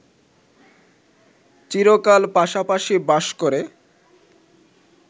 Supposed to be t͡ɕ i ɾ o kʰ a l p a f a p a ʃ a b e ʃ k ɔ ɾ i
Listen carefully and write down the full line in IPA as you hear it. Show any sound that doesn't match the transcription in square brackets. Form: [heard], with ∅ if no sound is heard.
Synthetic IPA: t͡ɕ i ɾ o [k] a l p a [ʃ] a p a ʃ [i] b [a] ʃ k [o] ɾ [e]